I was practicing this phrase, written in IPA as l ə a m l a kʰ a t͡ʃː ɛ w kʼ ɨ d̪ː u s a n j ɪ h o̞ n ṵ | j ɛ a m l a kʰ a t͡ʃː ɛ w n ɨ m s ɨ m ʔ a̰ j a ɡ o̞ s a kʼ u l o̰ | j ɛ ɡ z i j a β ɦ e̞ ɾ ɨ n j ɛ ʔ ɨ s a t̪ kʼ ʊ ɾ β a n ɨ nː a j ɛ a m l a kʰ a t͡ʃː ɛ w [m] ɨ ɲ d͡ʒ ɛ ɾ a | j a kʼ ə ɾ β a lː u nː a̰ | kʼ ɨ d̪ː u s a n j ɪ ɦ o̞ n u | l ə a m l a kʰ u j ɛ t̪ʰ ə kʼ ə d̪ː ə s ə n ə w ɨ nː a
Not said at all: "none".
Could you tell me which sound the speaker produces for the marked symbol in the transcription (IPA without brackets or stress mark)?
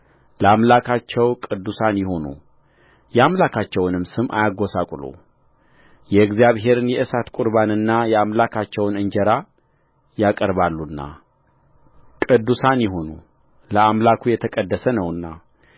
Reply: n